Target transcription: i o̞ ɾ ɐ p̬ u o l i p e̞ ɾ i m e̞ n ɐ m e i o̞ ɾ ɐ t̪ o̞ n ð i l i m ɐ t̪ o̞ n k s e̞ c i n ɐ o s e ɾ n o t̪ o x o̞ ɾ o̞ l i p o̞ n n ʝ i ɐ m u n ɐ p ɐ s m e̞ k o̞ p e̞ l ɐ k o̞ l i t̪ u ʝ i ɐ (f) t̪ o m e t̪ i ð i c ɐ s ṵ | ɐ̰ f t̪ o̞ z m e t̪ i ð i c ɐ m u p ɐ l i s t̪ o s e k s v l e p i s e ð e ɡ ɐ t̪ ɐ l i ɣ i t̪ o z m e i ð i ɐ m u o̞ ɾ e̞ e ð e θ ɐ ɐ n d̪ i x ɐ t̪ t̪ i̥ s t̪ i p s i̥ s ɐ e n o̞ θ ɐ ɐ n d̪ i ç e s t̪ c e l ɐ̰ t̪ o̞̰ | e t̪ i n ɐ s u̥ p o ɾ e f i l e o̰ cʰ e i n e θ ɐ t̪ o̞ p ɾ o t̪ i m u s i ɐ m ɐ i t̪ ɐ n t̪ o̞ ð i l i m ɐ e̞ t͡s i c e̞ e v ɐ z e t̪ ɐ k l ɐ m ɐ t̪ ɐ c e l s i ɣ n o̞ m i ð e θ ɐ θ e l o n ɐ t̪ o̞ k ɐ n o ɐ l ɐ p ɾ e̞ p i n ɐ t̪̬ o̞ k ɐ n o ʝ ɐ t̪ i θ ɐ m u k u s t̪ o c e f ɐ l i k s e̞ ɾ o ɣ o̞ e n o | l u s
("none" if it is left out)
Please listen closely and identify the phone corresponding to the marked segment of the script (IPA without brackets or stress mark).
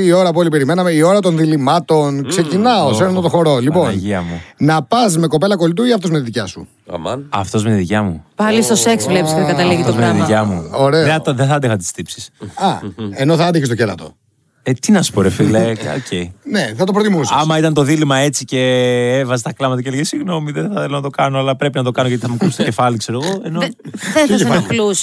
f